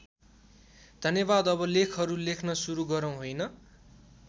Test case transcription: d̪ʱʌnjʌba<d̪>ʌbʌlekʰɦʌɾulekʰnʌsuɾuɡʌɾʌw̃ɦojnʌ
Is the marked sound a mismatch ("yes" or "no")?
no